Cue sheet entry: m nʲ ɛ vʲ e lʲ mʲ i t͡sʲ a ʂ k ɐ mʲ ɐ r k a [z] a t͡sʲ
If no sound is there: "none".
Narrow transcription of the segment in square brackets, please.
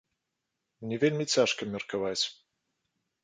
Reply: v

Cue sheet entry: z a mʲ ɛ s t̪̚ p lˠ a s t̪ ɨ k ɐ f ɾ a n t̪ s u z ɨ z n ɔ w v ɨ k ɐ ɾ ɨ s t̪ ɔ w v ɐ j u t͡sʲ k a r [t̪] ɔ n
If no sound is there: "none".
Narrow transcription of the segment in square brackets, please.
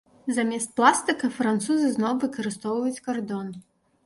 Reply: d̪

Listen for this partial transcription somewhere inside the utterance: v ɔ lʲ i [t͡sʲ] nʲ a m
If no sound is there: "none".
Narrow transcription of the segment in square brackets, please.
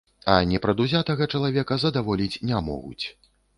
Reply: t͡sʲ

